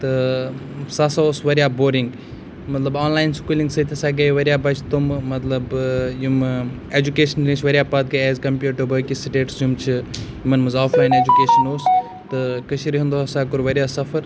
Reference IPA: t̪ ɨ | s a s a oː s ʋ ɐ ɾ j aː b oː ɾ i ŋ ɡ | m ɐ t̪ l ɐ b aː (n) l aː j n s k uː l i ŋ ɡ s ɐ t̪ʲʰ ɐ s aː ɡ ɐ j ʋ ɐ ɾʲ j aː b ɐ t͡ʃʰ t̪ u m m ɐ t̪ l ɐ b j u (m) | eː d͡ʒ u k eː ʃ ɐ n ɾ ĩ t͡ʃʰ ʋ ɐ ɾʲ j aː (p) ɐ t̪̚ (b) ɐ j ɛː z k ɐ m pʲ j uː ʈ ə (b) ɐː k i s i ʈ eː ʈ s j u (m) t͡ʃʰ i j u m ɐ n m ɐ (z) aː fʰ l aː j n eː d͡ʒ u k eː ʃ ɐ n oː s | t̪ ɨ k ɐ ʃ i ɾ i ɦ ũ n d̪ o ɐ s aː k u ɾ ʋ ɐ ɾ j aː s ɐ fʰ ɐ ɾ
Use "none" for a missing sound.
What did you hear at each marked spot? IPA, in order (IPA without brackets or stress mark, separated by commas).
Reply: n, m, p, ɡ, b, m, z